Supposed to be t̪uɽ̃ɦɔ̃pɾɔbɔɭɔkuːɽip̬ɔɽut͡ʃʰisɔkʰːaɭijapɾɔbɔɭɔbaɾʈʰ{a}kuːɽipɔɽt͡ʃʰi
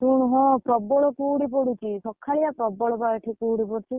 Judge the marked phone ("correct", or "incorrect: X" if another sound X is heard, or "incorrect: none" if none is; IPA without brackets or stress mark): incorrect: i